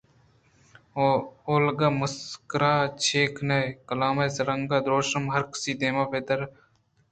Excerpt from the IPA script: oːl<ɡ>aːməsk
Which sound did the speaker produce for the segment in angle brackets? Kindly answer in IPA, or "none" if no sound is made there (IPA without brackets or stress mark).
ɡ